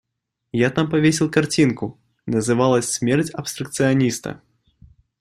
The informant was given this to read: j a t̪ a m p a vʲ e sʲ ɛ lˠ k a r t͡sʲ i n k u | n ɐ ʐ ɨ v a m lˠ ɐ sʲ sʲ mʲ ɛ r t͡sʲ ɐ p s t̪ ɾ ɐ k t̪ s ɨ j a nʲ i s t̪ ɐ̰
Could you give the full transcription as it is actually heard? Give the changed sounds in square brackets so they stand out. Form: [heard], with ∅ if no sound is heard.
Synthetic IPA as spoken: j a t̪ a m p a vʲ e sʲ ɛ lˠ k a r t͡sʲ i n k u | n ɐ [z] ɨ v a [∅] lˠ ɐ sʲ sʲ mʲ ɛ r t͡sʲ ɐ p s t̪ ɾ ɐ k t̪ s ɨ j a nʲ i s t̪ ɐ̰